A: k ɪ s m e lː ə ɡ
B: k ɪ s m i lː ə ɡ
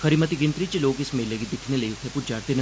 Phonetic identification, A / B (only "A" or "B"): A